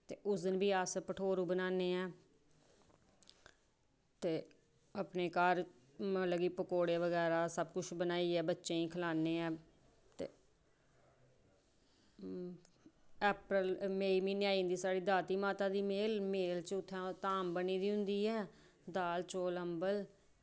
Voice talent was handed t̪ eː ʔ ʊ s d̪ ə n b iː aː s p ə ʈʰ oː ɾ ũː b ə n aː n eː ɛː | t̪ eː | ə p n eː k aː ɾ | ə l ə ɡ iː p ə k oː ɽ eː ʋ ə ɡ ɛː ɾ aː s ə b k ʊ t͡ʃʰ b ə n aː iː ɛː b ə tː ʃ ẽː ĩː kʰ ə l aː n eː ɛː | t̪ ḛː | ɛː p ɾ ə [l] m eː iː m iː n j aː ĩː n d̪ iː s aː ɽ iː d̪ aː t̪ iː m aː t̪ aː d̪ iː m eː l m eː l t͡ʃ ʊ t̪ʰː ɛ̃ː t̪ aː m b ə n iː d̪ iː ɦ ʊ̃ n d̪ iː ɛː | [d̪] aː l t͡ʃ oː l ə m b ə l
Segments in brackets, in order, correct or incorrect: correct, correct

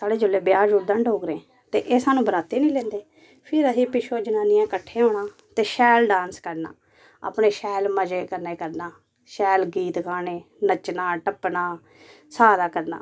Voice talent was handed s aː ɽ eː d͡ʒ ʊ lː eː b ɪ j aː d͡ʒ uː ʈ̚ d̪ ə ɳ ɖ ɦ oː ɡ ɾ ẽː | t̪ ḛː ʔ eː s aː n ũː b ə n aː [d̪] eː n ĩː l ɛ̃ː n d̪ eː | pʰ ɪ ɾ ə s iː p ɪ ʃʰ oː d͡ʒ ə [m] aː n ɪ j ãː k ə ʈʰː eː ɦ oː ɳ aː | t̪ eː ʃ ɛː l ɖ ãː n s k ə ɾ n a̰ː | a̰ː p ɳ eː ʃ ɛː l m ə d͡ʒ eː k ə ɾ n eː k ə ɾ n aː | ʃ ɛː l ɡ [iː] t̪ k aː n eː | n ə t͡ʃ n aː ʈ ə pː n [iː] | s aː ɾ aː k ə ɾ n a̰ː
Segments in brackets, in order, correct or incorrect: incorrect: t̪, incorrect: n, correct, incorrect: aː

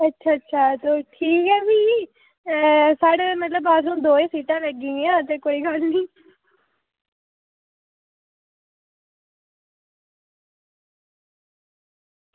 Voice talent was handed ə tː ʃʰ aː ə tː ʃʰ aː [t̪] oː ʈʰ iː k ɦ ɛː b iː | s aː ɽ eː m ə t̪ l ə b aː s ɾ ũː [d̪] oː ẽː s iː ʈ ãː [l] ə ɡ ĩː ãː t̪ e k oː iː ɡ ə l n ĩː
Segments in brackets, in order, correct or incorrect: correct, correct, correct

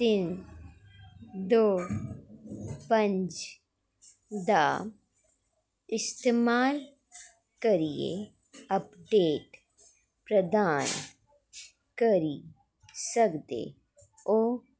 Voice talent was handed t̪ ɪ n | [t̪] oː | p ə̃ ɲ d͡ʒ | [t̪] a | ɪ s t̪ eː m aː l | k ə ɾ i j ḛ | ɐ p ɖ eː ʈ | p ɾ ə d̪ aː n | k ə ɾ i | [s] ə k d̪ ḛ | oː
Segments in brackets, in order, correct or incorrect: incorrect: d̪, incorrect: d̪, correct

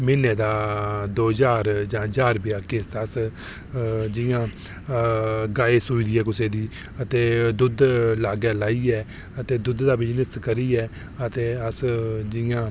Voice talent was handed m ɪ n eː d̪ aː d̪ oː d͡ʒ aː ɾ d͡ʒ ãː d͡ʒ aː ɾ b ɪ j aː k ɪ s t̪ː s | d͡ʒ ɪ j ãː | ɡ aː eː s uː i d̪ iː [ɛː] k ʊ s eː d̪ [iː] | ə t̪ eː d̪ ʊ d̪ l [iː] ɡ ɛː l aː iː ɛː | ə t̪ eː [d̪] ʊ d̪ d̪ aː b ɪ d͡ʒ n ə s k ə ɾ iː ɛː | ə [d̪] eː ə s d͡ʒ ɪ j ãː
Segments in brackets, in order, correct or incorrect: correct, correct, incorrect: aː, correct, incorrect: t̪

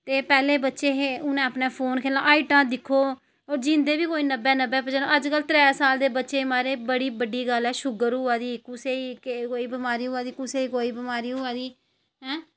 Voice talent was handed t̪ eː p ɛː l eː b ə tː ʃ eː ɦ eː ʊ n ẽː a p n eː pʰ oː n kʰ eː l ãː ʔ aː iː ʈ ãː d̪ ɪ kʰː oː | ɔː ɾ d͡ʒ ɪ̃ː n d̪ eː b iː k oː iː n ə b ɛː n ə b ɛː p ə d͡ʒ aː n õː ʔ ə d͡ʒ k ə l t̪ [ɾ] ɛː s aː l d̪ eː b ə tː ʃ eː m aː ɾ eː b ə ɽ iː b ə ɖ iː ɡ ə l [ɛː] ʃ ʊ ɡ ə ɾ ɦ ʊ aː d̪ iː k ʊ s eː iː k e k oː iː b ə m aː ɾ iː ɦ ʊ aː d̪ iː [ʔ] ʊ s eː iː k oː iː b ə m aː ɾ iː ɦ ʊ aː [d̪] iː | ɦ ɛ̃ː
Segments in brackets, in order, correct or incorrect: correct, correct, incorrect: k, correct

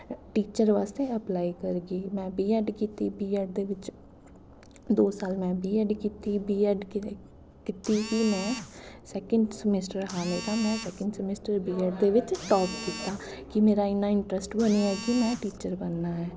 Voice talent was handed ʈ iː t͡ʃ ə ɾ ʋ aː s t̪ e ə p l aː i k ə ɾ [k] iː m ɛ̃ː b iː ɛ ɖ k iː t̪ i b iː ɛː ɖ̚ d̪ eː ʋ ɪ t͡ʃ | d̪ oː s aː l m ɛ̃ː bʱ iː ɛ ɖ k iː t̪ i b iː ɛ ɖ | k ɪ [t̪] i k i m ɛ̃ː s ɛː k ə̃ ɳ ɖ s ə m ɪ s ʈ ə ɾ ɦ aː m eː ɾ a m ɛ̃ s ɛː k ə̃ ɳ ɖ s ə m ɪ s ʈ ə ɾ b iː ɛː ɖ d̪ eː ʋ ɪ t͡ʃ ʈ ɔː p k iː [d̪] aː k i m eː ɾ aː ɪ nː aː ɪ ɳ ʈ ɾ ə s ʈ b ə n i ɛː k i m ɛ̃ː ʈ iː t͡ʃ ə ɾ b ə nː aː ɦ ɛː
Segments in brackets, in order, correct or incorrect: incorrect: ɡ, correct, incorrect: t̪

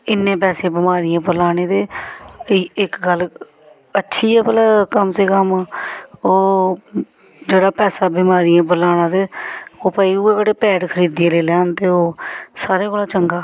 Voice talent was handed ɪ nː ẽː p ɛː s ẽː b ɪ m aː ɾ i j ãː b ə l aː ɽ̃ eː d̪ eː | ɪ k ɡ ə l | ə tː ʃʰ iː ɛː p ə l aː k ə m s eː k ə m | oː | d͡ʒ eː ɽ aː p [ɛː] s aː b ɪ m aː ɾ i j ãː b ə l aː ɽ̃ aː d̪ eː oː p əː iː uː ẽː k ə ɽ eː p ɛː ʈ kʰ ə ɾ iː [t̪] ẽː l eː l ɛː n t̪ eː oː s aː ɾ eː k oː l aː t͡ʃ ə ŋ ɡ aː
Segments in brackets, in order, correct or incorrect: correct, incorrect: d̪

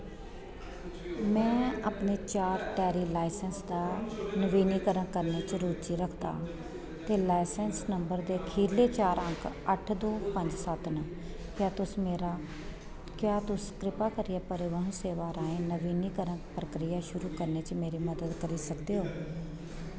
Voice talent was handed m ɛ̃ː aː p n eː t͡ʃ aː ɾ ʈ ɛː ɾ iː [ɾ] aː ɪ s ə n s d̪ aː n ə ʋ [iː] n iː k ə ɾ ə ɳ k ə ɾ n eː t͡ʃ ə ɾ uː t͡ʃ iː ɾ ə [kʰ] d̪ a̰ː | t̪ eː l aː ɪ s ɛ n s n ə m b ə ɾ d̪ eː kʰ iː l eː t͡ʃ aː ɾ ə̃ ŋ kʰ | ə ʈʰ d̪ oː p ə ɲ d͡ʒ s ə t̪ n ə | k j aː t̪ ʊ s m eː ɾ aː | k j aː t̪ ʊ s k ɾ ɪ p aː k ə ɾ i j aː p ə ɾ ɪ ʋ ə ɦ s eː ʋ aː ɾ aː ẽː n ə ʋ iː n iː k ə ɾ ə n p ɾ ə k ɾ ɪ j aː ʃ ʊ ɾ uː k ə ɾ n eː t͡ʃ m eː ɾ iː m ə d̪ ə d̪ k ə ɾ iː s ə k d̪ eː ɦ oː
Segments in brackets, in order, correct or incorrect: incorrect: l, correct, correct

